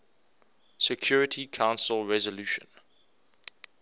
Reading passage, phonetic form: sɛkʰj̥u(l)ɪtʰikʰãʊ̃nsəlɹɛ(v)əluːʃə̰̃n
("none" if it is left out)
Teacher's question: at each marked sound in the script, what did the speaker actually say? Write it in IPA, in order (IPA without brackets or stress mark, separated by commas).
ɹ, z